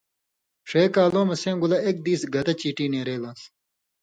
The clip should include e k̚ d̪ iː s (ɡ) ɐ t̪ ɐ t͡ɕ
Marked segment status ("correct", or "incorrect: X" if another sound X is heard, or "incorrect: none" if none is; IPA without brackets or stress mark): correct